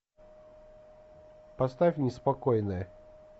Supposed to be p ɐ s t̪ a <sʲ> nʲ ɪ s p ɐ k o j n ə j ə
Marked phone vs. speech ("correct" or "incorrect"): incorrect